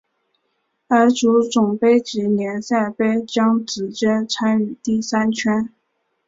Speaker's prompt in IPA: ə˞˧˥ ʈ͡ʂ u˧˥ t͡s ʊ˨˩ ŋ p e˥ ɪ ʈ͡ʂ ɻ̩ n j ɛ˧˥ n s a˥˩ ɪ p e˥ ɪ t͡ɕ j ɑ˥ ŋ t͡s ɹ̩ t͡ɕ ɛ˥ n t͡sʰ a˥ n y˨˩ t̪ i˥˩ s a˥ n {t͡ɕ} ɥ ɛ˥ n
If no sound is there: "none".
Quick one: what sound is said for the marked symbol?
t͡ɕʰ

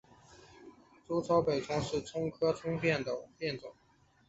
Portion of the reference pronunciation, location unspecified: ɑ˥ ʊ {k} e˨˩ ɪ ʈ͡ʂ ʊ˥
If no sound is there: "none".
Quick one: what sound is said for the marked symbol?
p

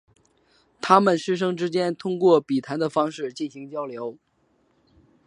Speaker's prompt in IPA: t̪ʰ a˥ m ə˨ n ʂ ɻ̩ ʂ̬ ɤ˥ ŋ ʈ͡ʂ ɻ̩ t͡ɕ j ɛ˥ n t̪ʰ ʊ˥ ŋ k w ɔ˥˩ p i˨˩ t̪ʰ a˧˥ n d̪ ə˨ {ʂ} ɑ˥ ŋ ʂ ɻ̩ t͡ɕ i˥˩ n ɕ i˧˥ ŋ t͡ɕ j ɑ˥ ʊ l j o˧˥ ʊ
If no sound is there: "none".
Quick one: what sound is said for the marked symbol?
f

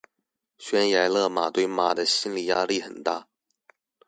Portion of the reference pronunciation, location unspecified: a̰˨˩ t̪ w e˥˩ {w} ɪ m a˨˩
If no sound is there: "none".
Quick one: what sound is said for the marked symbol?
none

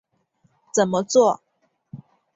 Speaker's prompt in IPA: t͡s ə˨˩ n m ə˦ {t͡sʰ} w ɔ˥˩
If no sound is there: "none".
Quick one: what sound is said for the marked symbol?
t͡s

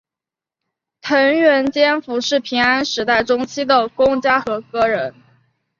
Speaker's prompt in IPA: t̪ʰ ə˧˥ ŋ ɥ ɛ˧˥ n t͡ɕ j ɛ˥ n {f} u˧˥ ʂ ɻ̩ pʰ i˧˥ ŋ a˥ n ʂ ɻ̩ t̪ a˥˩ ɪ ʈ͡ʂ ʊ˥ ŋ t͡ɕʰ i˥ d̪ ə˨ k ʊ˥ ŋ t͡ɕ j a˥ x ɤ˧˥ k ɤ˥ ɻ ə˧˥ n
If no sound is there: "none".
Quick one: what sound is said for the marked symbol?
f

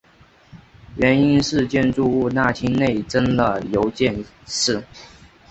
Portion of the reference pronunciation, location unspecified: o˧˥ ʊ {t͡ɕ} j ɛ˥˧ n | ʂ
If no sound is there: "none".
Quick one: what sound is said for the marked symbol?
t͡ɕ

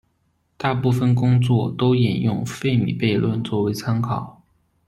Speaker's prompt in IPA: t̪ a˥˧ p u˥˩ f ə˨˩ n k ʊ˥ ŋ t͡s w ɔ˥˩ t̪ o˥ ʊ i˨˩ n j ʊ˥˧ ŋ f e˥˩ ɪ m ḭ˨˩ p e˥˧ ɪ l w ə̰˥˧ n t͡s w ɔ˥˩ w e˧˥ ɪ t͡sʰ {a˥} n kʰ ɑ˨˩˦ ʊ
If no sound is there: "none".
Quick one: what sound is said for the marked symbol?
a˥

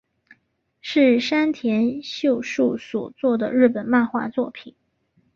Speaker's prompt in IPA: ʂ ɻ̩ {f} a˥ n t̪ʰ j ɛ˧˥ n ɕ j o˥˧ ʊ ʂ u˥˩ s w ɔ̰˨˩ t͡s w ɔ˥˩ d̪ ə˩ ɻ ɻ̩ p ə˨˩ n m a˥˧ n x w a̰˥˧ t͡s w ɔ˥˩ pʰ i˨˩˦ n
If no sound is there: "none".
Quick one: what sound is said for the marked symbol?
ʂ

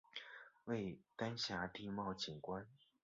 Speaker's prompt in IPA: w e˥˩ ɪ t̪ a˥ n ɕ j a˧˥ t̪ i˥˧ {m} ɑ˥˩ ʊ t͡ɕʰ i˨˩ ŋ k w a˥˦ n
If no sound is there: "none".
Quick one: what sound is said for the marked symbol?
m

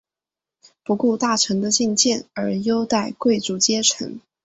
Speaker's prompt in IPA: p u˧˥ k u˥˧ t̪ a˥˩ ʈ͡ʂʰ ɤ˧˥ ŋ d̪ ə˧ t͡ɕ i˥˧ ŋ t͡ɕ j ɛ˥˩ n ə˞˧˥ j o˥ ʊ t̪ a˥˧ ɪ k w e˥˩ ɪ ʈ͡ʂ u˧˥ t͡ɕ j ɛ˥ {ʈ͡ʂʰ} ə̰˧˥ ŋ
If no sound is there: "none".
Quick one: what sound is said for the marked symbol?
ʈ͡ʂʰ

